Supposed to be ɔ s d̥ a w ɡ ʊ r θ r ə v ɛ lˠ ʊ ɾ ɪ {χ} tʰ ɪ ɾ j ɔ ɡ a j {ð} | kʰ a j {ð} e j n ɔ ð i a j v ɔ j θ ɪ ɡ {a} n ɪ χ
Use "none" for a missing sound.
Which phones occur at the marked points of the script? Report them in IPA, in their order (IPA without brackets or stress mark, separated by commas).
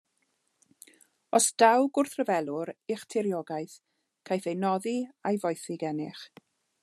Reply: χ, θ, θ, ɛ